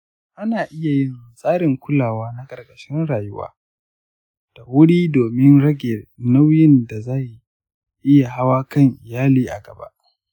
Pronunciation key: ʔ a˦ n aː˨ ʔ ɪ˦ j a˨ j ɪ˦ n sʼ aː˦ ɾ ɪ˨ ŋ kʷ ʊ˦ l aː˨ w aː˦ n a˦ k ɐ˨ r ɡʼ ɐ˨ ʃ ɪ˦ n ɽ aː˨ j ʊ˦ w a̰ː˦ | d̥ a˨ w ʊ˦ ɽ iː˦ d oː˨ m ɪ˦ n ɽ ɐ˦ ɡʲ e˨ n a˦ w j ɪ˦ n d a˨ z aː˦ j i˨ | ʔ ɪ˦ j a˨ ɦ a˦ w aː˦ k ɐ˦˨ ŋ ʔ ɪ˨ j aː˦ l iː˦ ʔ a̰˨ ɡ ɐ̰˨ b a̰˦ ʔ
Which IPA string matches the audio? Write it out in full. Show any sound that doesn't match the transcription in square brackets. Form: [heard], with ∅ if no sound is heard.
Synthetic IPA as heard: ʔ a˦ n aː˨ ʔ ɪ˦ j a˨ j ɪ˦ n sʼ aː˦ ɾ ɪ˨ ŋ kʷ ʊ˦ l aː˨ w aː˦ n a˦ [kʼ] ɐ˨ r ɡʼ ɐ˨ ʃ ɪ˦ n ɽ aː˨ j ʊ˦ w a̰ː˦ | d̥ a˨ w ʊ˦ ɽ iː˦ d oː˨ m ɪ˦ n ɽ ɐ˦ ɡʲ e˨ n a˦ w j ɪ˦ n d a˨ z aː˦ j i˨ | ʔ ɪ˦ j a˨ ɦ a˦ w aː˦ k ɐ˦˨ ŋ ʔ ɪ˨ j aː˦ l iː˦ ʔ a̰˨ ɡ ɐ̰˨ b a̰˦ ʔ